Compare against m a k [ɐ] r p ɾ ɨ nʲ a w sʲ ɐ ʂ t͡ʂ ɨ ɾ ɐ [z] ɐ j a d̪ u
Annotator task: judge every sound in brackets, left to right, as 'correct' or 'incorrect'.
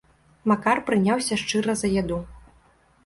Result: incorrect: a, correct

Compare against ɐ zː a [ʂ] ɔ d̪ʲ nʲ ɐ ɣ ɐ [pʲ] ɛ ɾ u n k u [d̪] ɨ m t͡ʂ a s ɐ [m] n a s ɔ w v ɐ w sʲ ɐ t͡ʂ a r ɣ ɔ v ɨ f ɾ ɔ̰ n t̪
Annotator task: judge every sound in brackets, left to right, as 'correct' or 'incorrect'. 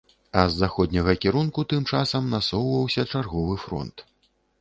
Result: incorrect: x, incorrect: kʲ, incorrect: t̪, correct

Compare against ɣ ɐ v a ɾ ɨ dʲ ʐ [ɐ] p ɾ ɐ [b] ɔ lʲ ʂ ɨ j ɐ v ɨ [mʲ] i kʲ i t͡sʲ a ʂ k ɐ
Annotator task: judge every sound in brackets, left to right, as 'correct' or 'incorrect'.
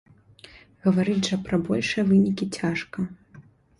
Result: correct, correct, incorrect: nʲ

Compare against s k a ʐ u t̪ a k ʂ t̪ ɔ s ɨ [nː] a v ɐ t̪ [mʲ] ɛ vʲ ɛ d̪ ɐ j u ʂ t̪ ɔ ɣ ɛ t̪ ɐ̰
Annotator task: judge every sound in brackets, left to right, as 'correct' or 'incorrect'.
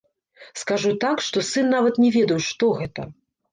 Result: correct, incorrect: nʲ

